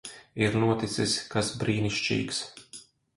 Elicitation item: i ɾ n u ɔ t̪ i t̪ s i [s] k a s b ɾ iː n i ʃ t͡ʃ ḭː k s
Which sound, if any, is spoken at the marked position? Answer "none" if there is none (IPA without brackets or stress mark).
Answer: s